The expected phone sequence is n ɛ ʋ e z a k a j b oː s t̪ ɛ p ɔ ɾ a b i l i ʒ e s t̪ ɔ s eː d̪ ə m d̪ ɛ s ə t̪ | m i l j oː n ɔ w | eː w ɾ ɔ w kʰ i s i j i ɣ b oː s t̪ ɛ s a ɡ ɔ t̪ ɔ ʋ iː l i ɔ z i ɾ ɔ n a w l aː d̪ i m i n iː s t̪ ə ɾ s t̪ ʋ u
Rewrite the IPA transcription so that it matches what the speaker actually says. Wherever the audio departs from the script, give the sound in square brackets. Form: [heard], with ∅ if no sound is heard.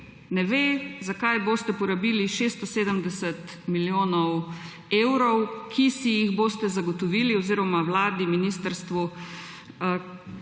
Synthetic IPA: n ɛ ʋ e z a k a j b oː s t̪ ɛ p ɔ ɾ a b i l i [ʃ] e s t̪ ɔ s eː d̪ ə m d̪ ɛ s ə t̪ | m i l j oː n ɔ w | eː w ɾ ɔ w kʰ i s i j i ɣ b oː s t̪ ɛ [z] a ɡ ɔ t̪ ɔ ʋ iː l i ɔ z i ɾ ɔ [m] a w l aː d̪ i m i n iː s t̪ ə ɾ s t̪ ʋ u